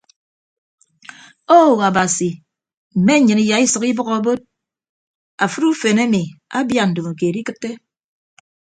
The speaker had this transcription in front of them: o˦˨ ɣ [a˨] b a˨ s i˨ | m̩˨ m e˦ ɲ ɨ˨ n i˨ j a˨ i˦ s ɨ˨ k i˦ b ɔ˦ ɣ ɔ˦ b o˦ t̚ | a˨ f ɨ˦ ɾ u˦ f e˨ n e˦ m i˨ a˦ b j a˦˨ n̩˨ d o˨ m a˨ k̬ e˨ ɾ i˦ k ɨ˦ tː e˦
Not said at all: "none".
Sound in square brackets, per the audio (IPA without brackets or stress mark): a˨